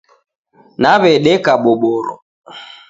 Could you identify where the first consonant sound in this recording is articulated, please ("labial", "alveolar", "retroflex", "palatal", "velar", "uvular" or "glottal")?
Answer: alveolar